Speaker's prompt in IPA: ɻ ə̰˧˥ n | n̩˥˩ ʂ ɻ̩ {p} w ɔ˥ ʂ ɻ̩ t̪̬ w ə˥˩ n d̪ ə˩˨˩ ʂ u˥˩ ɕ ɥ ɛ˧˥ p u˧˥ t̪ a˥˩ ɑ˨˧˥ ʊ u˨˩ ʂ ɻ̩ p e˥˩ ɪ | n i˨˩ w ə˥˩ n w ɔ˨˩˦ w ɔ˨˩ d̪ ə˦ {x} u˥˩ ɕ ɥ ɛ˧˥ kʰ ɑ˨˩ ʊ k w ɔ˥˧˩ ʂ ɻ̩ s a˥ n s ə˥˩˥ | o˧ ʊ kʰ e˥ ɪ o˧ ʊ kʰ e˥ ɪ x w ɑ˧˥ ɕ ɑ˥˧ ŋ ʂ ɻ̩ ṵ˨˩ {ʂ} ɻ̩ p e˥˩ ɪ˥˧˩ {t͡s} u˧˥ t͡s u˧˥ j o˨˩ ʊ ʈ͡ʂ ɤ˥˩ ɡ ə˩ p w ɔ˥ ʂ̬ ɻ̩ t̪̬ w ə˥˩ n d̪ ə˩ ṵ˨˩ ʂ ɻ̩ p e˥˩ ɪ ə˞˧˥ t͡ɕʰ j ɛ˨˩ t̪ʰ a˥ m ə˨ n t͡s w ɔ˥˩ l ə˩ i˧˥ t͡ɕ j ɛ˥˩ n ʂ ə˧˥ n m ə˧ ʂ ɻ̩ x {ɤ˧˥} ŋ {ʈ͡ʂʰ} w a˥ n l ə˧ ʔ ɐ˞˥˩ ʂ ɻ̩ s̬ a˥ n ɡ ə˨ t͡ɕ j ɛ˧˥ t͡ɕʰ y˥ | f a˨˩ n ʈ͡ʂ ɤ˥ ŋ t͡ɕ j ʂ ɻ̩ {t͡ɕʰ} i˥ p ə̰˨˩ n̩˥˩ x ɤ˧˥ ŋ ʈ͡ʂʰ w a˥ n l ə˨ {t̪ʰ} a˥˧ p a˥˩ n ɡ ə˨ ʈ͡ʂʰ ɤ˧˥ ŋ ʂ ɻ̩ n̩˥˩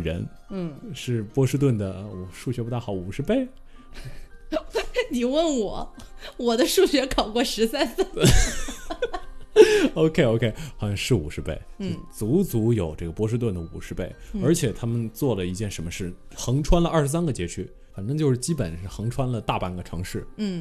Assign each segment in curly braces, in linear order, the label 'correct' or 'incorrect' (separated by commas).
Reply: correct, incorrect, correct, correct, correct, correct, incorrect, incorrect